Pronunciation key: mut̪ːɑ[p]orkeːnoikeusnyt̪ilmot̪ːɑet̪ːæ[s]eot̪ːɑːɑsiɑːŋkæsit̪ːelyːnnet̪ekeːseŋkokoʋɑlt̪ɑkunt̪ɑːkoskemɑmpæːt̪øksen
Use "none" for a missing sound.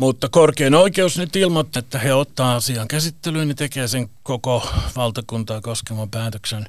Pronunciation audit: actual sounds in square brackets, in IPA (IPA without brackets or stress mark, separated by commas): k, h